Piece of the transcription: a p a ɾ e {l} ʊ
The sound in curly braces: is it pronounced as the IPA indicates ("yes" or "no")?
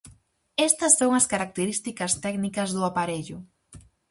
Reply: no